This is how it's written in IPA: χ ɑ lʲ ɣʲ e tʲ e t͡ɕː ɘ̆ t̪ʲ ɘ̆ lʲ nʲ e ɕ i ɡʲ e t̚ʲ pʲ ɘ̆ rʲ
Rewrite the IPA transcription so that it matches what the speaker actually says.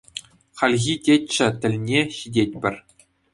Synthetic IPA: χ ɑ lʲ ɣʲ i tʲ e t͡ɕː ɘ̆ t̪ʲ ɘ̆ lʲ nʲ e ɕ i dʲ e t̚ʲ pʲ ɘ̆ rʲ